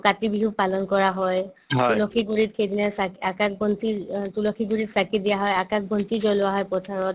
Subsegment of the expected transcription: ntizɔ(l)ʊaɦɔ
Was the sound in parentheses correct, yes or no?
yes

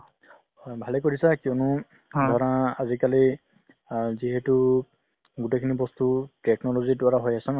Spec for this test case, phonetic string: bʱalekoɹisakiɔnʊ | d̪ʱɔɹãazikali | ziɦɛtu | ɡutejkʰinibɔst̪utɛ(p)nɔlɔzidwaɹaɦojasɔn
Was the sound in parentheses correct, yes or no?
no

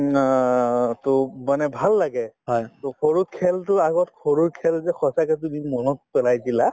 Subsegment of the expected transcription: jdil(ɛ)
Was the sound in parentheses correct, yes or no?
no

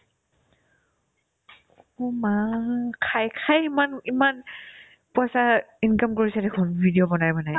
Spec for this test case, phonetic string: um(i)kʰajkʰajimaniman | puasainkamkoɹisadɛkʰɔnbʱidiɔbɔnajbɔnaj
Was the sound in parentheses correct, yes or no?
no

